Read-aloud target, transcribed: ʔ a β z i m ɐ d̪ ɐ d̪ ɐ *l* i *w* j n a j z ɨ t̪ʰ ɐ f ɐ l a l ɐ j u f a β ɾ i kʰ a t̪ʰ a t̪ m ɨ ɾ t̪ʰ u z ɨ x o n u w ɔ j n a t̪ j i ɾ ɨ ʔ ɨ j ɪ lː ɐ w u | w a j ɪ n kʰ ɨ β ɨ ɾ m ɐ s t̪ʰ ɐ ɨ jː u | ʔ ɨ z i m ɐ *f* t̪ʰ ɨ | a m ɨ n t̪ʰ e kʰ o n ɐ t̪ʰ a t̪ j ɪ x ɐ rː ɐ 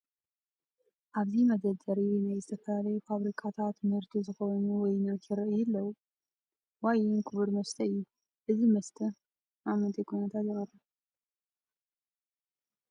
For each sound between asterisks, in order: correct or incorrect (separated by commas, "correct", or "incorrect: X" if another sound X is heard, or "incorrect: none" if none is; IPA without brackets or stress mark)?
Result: incorrect: ɾ, correct, incorrect: s